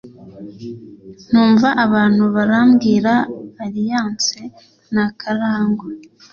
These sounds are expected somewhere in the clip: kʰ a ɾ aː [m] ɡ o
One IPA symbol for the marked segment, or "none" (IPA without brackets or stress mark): ŋ